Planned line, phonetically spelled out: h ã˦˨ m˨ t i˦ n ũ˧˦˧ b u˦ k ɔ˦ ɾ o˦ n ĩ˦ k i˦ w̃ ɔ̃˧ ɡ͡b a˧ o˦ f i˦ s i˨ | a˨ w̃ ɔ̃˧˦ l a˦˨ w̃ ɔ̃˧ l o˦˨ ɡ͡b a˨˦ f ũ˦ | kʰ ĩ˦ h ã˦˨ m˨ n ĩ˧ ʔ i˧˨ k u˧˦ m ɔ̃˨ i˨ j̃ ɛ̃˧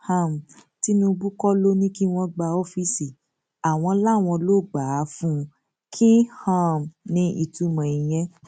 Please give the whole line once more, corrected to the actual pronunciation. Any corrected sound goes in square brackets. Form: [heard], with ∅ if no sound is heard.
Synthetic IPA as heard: h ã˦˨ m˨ t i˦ n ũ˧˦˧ b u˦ k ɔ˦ [l] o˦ n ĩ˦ k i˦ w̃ ɔ̃˧ ɡ͡b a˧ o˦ f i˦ s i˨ | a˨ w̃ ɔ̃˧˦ l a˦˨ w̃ ɔ̃˧ l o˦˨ ɡ͡b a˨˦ f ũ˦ | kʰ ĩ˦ h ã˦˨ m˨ n ĩ˧ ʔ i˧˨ [t] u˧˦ m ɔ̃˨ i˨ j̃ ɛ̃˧